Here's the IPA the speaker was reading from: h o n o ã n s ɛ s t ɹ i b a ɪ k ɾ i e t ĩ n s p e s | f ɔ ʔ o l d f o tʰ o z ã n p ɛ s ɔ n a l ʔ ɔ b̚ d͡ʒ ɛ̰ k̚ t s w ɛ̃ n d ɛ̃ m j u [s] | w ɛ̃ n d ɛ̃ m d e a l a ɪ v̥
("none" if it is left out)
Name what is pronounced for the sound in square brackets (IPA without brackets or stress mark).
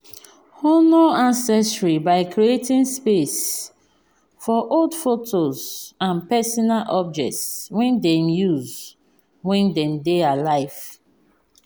z